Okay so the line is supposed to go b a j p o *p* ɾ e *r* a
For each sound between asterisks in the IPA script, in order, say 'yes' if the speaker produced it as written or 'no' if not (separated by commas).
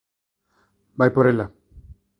no, no